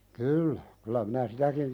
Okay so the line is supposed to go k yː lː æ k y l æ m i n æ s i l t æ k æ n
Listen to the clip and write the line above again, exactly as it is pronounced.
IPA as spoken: k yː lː æ k y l æ m i n æ s i t æ k i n